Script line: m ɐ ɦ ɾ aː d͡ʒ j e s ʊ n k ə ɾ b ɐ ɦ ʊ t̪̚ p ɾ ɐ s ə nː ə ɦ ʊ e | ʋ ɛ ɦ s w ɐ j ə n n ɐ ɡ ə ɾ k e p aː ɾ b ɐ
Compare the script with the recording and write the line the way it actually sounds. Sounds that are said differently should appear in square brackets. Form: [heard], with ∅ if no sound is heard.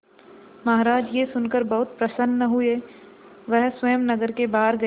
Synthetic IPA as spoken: m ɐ ɦ ɾ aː d͡ʒ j e s ʊ n k ə ɾ b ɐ ɦ ʊ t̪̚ p ɾ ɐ s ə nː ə ɦ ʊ e | ʋ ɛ ɦ s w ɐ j ə [m] n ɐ ɡ ə ɾ k e [b] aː ɾ [ɡ] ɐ